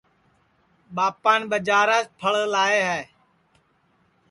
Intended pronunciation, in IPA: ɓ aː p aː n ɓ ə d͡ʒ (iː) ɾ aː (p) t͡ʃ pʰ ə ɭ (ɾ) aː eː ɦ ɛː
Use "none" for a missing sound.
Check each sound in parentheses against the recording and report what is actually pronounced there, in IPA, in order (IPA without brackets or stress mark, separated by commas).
aː, none, l